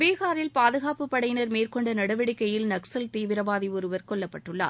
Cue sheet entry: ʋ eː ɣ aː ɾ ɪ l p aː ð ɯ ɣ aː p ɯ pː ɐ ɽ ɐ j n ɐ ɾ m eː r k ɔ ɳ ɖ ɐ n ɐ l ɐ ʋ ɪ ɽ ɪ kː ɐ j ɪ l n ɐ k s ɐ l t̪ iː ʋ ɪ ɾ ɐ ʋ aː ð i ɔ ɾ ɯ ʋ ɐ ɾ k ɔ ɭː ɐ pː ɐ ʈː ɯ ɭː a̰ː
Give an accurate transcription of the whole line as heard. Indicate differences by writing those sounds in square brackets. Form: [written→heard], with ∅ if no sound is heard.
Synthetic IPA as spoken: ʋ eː ɣ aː ɾ ɪ l p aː ð ɯ ɣ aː p ɯ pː ɐ ɽ ɐ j n ɐ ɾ m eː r k ɔ ɳ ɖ ɐ n ɐ [l→ɽ] ɐ ʋ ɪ ɽ ɪ kː ɐ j ɪ l n ɐ k s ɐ l t̪ iː ʋ ɪ ɾ ɐ ʋ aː ð i ɔ ɾ ɯ ʋ ɐ ɾ k ɔ ɭː ɐ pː ɐ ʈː ɯ ɭː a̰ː